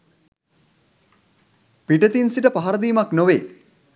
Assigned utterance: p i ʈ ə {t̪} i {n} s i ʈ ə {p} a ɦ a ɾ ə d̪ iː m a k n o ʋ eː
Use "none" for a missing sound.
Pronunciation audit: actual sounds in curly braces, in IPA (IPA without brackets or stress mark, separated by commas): t̪, n, p